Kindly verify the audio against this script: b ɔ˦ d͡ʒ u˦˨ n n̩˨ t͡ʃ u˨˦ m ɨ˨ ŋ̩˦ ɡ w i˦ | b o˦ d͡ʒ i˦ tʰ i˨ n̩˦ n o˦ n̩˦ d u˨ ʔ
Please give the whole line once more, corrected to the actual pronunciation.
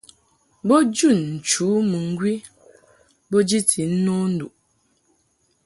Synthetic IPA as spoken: b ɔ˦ d͡ʒ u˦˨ n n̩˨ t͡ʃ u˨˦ m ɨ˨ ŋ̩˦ ɡ w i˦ | b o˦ d͡ʒ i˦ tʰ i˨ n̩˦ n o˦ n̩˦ d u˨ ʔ